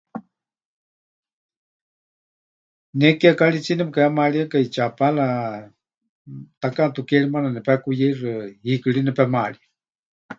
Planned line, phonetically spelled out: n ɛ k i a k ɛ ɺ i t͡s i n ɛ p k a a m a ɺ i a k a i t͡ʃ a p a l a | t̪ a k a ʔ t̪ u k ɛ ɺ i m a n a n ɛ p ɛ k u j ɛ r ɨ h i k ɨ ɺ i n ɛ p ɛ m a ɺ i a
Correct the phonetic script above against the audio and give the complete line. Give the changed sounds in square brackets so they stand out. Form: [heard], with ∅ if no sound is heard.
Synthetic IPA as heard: n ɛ k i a k [a] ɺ i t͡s i n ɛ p k a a m a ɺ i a k a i t͡ʃ a p a l a | t̪ a k a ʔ t̪ u k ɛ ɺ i m a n a n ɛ p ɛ k u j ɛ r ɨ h i k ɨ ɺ i n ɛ p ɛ m a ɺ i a